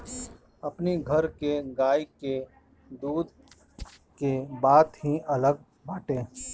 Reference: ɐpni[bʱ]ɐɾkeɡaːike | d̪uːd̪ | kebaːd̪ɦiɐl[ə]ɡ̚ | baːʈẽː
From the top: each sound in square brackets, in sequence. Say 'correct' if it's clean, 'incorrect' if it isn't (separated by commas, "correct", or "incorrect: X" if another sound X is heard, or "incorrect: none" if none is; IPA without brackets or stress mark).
incorrect: ɡʱ, correct